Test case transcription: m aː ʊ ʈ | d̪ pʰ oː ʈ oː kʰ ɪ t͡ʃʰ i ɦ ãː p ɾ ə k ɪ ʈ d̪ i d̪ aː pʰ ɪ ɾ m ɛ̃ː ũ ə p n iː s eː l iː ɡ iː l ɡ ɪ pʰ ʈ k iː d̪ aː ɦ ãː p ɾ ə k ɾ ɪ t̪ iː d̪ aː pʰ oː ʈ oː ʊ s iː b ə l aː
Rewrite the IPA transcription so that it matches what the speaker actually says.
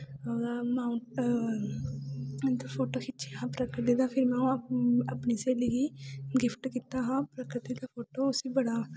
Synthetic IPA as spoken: m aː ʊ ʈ | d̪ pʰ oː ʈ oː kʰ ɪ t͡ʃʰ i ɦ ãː p ɾ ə k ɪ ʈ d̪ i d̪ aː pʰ ɪ ɾ m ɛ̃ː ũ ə p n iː s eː l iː ɡ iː ɡ ɪ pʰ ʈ k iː t̪ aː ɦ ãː p ɾ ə k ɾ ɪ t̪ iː d̪ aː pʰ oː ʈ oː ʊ s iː b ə ɽ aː